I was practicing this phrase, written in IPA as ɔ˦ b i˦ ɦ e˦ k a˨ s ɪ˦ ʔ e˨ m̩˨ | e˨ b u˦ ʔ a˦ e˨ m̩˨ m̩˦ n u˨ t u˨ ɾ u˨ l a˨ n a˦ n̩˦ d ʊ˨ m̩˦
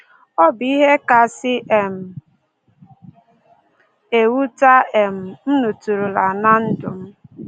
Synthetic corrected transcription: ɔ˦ b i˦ ɦ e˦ k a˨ s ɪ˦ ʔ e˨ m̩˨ | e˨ w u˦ t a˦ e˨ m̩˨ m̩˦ n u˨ t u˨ ɾ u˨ l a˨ n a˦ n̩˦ d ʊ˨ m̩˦